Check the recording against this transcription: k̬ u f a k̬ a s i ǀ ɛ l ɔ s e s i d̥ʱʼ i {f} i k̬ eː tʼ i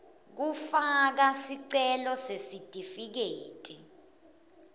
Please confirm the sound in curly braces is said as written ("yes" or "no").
yes